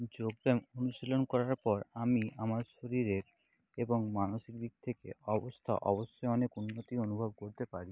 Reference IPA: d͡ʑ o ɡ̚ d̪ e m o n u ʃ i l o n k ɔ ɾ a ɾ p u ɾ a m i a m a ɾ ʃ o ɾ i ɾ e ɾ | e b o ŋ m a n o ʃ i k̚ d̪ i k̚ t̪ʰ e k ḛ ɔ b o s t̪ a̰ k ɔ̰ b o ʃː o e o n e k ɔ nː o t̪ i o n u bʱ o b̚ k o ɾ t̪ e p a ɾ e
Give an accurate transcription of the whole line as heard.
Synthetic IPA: d͡ʑ o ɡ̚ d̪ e m o n u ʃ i l o n k ɔ ɾ a ɾ p ɔ ɾ a m i a m a ɾ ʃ o ɾ i ɾ e ɾ | e b o ŋ m a n o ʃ i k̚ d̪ i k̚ t̪ʰ e k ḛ ɔ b o s t̪ʰ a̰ ʔ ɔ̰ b o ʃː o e ɔ n e k u nː o t̪ i o n u bʱ o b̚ k o ɾ t̪ e p a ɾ i